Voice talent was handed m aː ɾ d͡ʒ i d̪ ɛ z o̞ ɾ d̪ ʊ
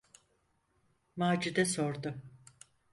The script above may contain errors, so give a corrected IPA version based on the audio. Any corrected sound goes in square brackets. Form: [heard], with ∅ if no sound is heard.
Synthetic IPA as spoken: m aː [∅] d͡ʒ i d̪ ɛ [s] o̞ ɾ d̪ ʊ